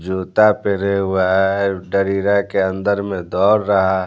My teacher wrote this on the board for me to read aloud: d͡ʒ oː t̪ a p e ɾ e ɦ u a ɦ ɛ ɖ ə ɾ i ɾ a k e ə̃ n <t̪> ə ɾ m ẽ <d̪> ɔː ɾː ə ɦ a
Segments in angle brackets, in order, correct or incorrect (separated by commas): incorrect, correct